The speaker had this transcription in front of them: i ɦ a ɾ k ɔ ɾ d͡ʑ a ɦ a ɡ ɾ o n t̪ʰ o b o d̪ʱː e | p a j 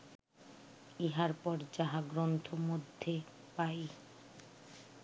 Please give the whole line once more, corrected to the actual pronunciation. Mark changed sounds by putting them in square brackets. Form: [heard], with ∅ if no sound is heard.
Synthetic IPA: i ɦ a ɾ [p] ɔ ɾ d͡ʑ a ɦ a ɡ ɾ o n t̪ʰ o [m] o d̪ʱː e | p a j